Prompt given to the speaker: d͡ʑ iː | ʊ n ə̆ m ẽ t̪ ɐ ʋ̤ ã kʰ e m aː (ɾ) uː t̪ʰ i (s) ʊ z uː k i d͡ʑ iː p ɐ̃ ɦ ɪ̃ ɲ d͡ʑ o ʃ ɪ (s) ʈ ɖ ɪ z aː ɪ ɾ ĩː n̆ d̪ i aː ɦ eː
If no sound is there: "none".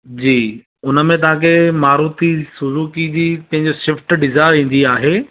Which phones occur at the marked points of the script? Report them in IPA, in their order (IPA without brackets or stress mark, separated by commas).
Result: ɾ, s, f